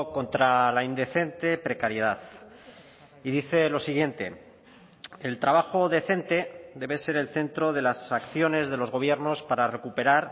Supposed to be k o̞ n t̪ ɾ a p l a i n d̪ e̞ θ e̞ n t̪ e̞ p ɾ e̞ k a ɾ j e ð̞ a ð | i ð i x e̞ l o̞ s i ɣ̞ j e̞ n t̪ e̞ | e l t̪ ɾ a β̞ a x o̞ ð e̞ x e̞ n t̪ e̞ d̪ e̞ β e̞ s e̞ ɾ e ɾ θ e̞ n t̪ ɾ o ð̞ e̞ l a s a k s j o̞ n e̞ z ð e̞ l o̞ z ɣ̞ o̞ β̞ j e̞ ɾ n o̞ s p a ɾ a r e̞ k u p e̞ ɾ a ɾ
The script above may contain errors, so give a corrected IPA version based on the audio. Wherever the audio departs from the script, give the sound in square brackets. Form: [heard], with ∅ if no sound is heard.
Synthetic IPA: k o̞ n t̪ ɾ a [∅] l a i n d̪ e̞ θ e̞ n t̪ e̞ p ɾ e̞ k a ɾ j e ð̞ a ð | i ð i [θ] e̞ l o̞ s i ɣ̞ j e̞ n t̪ e̞ | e l t̪ ɾ a β̞ a x o̞ ð e̞ [θ] e̞ n t̪ e̞ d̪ e̞ β e̞ s e̞ ɾ e [l] θ e̞ n t̪ ɾ o ð̞ e̞ l a s a k [θ] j o̞ n e̞ z ð e̞ l o̞ z ɣ̞ o̞ β̞ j e̞ ɾ n o̞ s p a ɾ a r e̞ k u p e̞ ɾ a ɾ